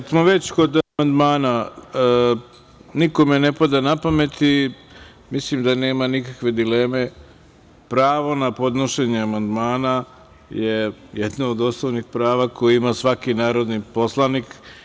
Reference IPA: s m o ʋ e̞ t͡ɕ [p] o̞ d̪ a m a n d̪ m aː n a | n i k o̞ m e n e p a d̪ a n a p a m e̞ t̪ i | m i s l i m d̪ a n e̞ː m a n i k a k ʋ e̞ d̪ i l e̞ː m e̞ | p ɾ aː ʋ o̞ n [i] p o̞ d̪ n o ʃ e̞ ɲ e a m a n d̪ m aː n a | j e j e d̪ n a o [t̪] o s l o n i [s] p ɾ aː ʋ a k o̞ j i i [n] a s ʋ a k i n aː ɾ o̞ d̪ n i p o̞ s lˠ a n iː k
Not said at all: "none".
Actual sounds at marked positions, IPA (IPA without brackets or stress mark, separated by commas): k, a, d̪, x, m